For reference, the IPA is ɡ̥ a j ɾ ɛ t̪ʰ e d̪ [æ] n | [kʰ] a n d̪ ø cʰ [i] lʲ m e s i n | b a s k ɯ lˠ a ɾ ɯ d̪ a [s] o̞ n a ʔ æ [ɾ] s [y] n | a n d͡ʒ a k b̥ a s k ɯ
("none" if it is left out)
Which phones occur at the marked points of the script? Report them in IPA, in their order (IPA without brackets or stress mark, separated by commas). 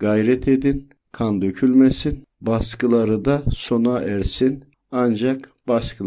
i, kʰ, y, s, ɾ, i